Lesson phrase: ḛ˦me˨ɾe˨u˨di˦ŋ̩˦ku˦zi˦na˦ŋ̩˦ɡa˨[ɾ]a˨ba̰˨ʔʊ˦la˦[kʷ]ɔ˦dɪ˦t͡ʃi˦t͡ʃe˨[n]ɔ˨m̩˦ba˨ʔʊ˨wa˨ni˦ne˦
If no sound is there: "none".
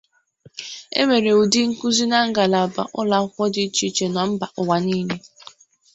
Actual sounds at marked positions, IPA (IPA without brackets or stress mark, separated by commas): l, kʷ, n